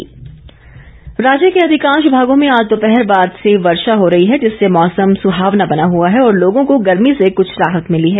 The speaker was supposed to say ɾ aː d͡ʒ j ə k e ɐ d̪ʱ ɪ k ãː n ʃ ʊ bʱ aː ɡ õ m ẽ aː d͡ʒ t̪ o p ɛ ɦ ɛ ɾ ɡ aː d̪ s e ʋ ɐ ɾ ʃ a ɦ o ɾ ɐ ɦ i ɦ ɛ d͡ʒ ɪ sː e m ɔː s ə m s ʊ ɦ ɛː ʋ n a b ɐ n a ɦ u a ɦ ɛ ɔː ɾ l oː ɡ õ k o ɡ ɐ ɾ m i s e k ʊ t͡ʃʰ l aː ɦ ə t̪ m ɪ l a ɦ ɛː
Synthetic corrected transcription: ɾ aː d͡ʒ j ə k e ɐ d̪ʱ ɪ k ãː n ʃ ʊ bʱ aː ɡ õ m ẽ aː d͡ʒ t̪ o p ɛ ɦ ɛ ɾ b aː d̪ s e ʋ ɐ ɾ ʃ a ɦ o ɾ ɐ ɦ i ɦ ɛ d͡ʒ ɪ sː e m ɔː s ə m s ʊ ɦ aː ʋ n a b ɐ n a ɦ u a ɦ ɛ ɔː ɾ l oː ɡ õ k o ɡ ɐ ɾ m i s e k ʊ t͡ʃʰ ɾ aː ɦ ə t̪ m ɪ l i ɦ ɛː

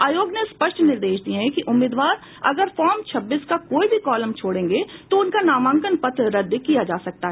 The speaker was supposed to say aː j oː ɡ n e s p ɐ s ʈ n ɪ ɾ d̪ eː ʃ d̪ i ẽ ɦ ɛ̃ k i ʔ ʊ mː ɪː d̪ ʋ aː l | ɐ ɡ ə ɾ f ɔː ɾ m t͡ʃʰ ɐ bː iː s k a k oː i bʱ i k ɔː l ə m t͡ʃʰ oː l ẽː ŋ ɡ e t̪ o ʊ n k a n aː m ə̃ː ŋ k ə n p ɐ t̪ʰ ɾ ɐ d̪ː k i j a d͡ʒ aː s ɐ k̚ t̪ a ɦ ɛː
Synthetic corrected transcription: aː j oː ɡ n e s p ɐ ʃ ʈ n ɪ ɾ d̪ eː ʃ d̪ i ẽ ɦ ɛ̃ k i ʔ ʊ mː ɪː d̪ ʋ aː ɾ | ɐ ɡ ə ɾ f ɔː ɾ m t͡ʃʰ ɐ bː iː s k a k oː i bʱ i k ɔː l ə m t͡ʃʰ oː ɽ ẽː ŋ ɡ e t̪ o ʊ n k a n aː m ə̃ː ŋ k ə n p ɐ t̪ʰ ɾ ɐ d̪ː k i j a d͡ʒ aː s ɐ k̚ t̪ a ɦ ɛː

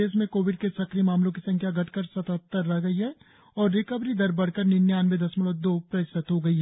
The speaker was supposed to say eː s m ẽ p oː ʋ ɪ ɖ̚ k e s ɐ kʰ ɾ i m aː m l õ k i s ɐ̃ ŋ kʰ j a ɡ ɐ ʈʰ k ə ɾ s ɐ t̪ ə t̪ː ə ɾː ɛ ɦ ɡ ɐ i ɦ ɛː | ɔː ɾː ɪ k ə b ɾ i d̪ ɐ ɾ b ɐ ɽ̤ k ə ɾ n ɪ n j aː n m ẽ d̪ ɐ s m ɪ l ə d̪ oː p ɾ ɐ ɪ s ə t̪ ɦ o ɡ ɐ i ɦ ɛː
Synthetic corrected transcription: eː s m ẽ k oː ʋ ɪ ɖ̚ k e s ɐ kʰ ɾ i m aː m l õ k i s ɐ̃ ŋ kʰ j a ɡ ɐ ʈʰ k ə ɾ s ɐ t̪ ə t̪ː ə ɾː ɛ ɦ ɡ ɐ i ɦ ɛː | ɔː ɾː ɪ k ə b ɾ i d̪ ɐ ɾ b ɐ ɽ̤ k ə ɾ n ɪ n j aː n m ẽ d̪ ɐ s m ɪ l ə d̪ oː p ɾ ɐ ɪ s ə t̪ ɦ o ɡ ɐ i ɦ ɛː

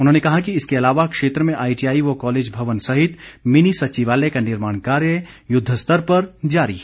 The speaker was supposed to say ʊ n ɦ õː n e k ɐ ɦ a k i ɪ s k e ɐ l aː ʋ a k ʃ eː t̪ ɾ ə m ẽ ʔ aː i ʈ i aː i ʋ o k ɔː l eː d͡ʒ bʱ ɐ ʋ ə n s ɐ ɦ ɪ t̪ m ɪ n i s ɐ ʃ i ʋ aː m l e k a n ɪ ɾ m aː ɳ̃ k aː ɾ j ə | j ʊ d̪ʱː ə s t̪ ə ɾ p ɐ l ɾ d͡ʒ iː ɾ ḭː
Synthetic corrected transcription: ʊ n ɦ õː n e k ɐ ɦ a k i ɪ s k e ɐ l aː ʋ a k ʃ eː t̪ ɾ ə m ẽ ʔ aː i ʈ i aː i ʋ o k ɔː l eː d͡ʒ bʱ ɐ ʋ ə n s ɐ ɦ ɪ t̪ m ɪ n i s ɐ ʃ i ʋ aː l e k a n ɪ ɾ m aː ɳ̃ k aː ɾ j ə | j ʊ d̪ʱː ə s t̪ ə ɾ p ɐ ɾ d͡ʒ aː ɾ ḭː

